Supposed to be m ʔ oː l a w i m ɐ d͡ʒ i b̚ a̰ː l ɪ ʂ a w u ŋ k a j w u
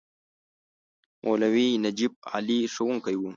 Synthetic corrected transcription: m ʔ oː l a w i n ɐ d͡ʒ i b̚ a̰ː l i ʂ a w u ŋ k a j w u

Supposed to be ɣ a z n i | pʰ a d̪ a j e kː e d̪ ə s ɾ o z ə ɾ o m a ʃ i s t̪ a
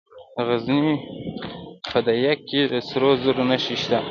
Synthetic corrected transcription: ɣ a z n i | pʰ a d̪ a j a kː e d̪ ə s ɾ o z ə ɾ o n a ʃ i ʃ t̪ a

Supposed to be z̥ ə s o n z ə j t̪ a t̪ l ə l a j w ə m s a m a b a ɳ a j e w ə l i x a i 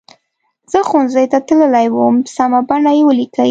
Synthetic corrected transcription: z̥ ə x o n z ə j t̪ a t̪ l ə l a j w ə m s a m a b a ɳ a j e w ə l i k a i

